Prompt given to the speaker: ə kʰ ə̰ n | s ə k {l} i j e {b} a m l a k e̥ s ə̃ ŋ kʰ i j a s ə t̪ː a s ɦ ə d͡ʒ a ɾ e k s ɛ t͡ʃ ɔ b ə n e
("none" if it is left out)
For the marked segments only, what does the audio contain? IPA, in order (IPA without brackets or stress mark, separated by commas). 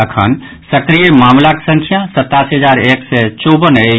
ɾ, m